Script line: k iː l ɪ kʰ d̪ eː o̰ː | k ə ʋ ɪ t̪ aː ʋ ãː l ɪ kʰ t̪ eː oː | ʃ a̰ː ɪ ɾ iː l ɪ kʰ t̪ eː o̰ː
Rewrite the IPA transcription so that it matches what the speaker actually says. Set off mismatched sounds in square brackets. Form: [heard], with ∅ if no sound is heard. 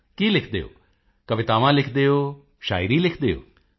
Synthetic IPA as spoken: k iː l ɪ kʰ d̪ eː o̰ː | k ə ʋ ɪ t̪ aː ʋ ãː l ɪ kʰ [d̪] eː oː | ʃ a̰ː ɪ ɾ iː l ɪ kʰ [d̪] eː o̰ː